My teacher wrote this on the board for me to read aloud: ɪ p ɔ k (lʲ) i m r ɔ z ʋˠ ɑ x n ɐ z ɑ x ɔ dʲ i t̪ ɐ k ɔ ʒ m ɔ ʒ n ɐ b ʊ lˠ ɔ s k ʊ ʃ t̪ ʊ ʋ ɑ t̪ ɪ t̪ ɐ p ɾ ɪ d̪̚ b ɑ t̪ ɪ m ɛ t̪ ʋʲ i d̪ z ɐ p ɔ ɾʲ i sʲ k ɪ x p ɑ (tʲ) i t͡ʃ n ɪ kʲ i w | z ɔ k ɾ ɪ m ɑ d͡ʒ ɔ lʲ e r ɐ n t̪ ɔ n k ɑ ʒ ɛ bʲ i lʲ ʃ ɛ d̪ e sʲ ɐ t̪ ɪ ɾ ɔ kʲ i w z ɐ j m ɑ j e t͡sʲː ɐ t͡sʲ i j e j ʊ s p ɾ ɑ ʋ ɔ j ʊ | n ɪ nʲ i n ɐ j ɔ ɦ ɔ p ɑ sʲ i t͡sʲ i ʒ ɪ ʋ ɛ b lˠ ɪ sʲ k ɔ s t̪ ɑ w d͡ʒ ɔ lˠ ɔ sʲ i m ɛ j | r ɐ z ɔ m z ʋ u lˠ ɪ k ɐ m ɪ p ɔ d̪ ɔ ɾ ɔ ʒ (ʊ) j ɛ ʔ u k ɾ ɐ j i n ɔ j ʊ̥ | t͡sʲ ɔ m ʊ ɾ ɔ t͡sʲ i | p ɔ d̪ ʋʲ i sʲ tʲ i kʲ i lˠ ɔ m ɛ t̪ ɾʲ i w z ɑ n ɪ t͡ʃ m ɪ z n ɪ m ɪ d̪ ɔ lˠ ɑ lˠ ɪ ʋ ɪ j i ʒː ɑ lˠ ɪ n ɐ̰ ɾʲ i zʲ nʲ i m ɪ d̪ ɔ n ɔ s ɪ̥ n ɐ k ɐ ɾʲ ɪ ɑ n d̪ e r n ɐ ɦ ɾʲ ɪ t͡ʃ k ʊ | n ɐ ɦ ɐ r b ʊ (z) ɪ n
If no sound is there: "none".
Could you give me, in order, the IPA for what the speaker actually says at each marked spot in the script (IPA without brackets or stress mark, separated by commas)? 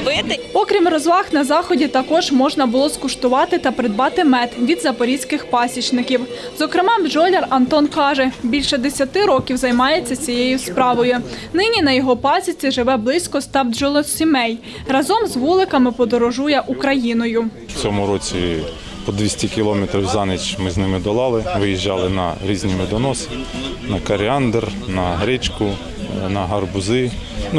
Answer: ɾʲ, sʲ, u, z